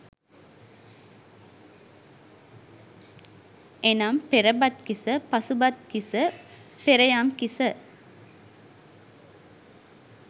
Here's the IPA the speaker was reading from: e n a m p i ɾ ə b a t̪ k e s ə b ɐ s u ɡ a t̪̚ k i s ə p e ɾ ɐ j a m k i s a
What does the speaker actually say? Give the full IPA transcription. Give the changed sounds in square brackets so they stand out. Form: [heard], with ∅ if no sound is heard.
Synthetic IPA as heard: e n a m p [e] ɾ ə b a t̪ k [i] s ə [p] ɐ s u [b] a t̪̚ k i s ə p e ɾ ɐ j a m k i s [ə]

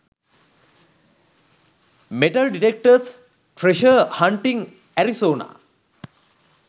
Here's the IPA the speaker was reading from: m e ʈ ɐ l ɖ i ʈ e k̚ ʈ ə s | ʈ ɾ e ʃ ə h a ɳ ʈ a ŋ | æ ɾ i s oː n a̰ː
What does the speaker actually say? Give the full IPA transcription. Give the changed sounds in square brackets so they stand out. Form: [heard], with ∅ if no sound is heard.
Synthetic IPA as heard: m e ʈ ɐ l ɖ i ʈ e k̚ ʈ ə s | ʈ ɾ e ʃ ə h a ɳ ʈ [i] ŋ | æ ɾ i s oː n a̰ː

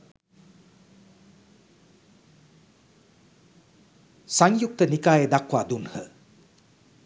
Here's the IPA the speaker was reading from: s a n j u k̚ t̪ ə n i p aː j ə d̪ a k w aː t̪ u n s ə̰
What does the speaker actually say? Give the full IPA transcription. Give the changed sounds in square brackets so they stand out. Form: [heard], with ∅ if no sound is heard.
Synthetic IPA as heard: s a [ŋ] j u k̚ t̪ ə n i [k] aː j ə d̪ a k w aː [d̪] u n [h] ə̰

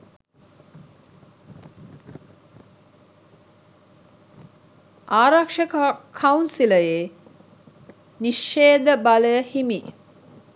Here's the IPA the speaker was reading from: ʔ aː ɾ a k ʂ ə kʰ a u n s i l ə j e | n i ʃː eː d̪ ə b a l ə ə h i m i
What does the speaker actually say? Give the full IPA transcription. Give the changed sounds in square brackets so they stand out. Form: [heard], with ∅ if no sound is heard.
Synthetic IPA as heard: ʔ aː ɾ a k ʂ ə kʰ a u n s i l ə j e | n i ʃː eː d̪ ə b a l ə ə h i m i

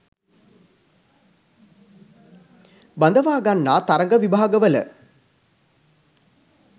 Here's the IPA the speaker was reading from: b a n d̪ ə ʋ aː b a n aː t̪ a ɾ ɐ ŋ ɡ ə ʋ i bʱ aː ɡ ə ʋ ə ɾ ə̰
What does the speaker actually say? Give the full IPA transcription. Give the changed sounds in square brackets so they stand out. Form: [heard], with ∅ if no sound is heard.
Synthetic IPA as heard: b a n d̪ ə ʋ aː [ɡ] a [nː] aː t̪ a ɾ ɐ ŋ ɡ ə ʋ i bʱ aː ɡ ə ʋ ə [l] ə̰

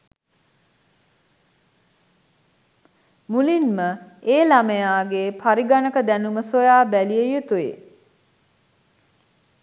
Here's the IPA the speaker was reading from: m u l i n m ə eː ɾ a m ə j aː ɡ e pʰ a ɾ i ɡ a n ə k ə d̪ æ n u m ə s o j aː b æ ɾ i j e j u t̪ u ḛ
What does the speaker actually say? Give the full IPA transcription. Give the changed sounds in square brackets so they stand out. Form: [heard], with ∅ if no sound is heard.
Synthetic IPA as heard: m u l i n m ə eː [l] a m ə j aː ɡ e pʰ a ɾ i ɡ a n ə k ə d̪ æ n u m ə s o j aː b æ [l] i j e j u t̪ u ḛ

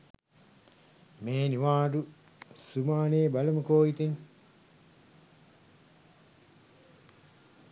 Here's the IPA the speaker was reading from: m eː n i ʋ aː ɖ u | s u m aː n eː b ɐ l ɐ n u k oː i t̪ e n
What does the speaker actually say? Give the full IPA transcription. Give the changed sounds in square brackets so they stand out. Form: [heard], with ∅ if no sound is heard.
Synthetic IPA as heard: m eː n i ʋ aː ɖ u | s u m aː n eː b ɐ l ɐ [m] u k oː i t̪ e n

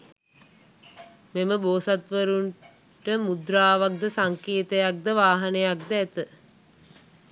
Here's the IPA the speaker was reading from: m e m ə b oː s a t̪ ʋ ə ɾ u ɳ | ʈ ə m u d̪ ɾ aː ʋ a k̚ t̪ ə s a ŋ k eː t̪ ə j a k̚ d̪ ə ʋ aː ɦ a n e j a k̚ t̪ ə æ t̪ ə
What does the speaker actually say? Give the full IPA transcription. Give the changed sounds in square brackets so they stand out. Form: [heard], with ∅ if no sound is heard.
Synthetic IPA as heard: m e m ə b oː s a t̪ ʋ ə ɾ u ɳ | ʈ ə m u d̪ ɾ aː ʋ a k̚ [d̪] ə s a ŋ k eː t̪ ə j a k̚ d̪ ə ʋ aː ɦ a n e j a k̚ [d̪] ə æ t̪ ə

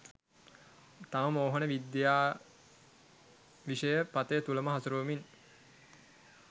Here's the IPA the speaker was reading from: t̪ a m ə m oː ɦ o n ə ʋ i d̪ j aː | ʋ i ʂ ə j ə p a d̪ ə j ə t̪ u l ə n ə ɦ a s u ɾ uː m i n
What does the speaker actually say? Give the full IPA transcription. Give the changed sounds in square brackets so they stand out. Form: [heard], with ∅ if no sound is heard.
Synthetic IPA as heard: t̪ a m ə m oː ɦ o n ə ʋ i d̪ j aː | ʋ i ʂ ə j ə p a [t̪] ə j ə t̪ u l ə [m] ə ɦ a s u ɾ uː m i n

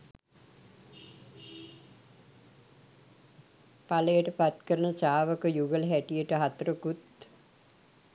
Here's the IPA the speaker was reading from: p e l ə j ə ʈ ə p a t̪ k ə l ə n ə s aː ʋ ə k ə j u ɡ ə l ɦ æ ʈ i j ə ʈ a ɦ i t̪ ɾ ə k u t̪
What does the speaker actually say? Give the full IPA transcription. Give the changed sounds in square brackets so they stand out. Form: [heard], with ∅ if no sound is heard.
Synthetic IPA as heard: p [a] l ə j ə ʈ ə p a t̪ k ə [ɾ] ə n ə s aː ʋ ə k ə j u ɡ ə l ɦ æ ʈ i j ə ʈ [ə] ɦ [a] t̪ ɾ ə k u t̪

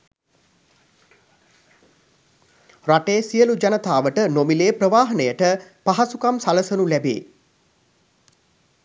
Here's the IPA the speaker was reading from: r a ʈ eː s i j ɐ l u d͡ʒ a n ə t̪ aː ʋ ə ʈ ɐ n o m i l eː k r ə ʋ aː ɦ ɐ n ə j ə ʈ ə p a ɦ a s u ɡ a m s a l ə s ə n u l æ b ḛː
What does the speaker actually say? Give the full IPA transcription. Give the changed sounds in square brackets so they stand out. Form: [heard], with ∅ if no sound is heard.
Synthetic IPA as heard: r a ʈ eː s i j [ə] l u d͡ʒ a n ə t̪ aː ʋ ə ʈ [ə] n o m i l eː [p] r ə ʋ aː ɦ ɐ n ə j ə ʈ ə p a ɦ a s u [k] a m s a l ə s ə n u l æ b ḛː

